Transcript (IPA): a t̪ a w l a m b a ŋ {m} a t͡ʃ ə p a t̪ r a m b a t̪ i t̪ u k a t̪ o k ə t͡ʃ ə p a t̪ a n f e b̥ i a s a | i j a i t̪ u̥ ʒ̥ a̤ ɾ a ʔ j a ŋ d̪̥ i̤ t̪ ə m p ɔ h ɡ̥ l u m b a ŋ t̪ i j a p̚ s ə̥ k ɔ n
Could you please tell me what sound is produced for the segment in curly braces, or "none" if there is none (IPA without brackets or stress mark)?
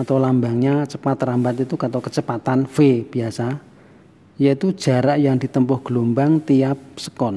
ɲ